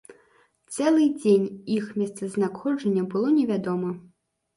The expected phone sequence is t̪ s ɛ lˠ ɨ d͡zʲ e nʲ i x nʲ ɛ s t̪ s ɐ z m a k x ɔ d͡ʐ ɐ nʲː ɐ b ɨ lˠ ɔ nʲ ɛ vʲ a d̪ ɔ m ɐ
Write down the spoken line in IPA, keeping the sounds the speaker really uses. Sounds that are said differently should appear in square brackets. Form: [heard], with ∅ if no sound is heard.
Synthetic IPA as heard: t̪ s ɛ lˠ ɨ d͡zʲ e nʲ i x [mʲ] ɛ s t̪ s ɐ z [n] a k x ɔ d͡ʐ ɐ nʲː ɐ b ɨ lˠ ɔ nʲ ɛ vʲ a d̪ ɔ m ɐ